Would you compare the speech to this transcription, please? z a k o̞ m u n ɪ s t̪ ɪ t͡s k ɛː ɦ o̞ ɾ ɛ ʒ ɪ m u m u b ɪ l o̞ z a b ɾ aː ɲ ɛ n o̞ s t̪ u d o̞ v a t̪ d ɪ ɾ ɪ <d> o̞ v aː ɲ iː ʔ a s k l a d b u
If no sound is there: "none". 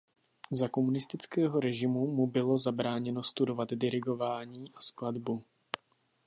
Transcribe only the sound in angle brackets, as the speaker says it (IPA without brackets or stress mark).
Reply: ɡ